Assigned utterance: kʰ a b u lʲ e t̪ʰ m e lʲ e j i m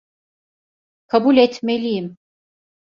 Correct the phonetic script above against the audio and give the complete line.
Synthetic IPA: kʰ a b u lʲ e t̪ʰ m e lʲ i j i m